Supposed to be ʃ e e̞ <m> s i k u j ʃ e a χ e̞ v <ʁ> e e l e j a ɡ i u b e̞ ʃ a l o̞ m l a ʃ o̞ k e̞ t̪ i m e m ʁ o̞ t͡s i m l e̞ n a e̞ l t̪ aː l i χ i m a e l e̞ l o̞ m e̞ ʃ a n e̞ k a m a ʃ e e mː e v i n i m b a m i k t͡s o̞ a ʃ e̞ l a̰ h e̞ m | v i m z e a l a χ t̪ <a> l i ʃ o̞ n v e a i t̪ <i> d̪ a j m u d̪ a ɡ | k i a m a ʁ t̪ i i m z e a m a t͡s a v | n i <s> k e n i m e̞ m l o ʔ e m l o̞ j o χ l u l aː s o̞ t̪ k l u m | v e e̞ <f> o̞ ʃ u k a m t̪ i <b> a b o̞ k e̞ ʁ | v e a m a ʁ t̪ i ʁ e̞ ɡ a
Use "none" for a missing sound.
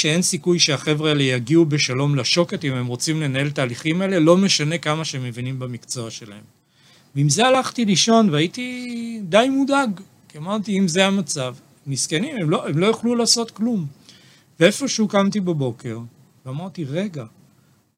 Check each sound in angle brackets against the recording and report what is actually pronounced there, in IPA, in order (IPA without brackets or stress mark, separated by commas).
n, ʁ, i, i, s, f, b